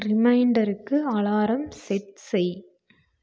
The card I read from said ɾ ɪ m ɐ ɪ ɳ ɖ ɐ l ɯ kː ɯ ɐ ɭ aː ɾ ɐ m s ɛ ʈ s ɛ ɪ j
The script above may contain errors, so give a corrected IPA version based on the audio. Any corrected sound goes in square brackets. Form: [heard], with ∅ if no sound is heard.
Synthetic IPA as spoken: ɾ ɪ m ɐ ɪ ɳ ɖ ɐ [ɾ] ɯ kː ɯ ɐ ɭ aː ɾ ɐ m s ɛ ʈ s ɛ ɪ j